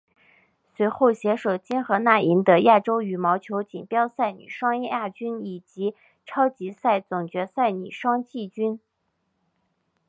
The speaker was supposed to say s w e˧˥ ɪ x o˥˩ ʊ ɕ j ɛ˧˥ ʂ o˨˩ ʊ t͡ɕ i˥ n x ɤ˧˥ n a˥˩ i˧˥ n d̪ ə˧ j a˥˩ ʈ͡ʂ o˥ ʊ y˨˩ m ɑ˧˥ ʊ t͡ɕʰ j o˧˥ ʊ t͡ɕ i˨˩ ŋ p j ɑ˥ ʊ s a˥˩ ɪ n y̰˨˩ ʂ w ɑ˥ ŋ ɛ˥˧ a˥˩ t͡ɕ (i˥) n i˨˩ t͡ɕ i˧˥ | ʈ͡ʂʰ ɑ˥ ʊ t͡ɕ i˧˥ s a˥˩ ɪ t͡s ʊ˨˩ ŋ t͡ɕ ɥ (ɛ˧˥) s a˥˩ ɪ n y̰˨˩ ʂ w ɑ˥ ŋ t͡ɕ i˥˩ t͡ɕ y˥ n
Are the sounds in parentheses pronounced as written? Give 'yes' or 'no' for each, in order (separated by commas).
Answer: no, yes